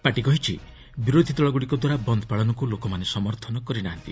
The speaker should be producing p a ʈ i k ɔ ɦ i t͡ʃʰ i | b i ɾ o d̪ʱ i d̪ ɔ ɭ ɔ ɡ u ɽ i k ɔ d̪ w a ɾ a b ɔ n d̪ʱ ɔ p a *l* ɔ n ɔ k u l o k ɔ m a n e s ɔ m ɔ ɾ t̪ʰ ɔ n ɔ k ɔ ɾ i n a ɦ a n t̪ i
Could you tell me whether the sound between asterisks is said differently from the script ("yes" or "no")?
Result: yes